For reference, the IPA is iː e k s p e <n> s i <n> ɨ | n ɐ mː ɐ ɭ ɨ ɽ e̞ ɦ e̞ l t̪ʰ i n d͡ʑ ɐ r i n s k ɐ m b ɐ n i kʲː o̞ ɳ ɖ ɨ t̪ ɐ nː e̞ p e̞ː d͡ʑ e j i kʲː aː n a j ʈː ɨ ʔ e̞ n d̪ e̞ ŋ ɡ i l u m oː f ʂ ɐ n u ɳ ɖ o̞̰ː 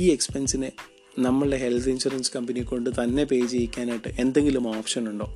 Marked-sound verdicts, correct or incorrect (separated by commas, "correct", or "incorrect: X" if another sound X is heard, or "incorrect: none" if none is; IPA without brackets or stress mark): correct, correct